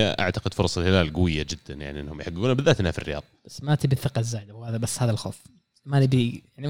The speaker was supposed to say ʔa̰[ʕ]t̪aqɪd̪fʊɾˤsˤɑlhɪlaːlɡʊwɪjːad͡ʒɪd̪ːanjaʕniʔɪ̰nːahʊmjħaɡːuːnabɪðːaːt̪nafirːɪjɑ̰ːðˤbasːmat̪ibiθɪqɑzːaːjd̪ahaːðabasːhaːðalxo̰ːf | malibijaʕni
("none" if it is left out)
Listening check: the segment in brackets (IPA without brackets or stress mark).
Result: ʕ